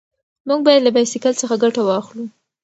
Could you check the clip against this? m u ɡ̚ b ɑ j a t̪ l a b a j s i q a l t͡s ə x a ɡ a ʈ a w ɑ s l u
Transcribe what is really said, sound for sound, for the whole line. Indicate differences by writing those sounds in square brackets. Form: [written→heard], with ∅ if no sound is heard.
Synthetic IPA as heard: m u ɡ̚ b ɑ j a [t̪→d̪] l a b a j s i [q→k] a l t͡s ə x a ɡ a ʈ a w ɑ [s→x] l u